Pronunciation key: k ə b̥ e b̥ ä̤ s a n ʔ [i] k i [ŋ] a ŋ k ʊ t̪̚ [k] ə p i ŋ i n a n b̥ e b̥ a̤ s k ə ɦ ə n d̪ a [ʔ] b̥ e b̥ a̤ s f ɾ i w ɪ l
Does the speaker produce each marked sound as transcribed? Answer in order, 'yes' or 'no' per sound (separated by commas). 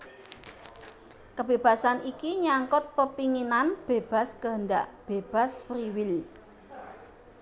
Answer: yes, no, no, yes